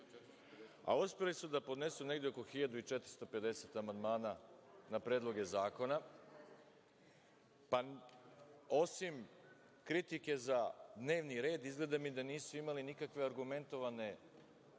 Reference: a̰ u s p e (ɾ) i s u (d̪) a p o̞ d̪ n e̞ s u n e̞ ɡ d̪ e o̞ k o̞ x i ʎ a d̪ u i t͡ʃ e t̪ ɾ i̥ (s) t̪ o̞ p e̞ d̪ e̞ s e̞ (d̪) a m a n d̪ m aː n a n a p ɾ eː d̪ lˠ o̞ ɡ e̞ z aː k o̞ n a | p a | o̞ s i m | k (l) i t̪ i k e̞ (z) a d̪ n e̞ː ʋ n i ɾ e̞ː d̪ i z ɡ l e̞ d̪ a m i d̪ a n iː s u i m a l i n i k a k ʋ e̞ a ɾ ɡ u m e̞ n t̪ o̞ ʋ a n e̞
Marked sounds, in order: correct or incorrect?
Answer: incorrect: l, correct, correct, incorrect: t̪, incorrect: ɾ, correct

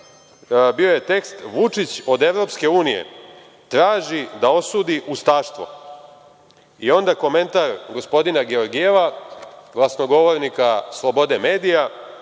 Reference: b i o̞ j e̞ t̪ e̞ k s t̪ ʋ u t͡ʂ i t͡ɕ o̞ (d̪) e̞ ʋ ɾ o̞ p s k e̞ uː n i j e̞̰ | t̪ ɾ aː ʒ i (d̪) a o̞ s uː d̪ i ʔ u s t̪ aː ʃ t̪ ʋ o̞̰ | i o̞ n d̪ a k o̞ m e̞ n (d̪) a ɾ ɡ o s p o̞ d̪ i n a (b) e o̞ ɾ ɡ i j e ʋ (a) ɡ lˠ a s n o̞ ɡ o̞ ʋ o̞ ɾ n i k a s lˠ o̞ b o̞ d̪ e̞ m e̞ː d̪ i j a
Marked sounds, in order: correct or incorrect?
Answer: correct, correct, incorrect: t̪, incorrect: ɡ, correct

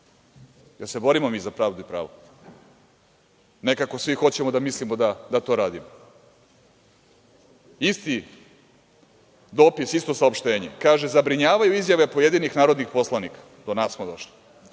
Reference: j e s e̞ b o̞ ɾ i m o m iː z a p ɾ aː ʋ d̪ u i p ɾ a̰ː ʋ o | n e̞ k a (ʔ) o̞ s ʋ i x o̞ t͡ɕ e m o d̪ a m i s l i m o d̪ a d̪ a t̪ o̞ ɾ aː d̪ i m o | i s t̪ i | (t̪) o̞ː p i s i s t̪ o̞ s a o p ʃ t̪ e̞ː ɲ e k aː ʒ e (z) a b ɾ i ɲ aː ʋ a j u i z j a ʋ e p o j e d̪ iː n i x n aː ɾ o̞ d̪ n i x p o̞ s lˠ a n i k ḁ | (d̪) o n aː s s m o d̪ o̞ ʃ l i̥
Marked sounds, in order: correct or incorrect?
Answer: incorrect: k, incorrect: d̪, correct, correct

